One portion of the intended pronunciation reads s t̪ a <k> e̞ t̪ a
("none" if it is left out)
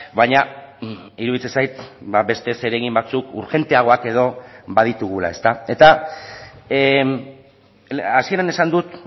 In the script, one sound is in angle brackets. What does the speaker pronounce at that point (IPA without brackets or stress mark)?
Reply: none